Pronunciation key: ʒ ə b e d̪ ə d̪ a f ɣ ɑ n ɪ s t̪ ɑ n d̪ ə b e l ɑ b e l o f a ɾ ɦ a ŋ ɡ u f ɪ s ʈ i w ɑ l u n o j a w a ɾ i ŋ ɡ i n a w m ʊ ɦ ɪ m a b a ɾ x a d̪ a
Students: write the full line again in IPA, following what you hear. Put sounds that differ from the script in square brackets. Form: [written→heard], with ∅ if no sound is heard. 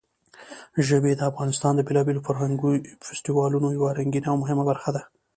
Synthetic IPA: ʒ ə b e d̪ ə [d̪→∅] a f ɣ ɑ n ɪ s t̪ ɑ n d̪ ə b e l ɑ b e l o f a ɾ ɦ a ŋ ɡ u f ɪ s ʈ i w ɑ l u n o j a w a ɾ [i→a] ŋ ɡ i n a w m ʊ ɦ ɪ m a b a ɾ x a d̪ a